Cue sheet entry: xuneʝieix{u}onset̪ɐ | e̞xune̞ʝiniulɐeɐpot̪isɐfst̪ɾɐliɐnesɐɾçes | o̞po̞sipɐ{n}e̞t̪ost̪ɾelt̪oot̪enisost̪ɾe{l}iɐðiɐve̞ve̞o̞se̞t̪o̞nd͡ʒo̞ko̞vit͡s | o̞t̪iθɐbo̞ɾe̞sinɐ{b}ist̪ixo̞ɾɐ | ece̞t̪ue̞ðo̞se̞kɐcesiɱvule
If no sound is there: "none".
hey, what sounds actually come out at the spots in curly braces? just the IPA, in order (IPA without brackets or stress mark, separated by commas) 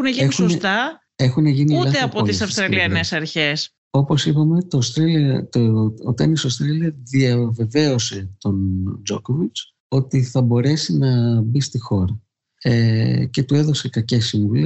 u, m, l, b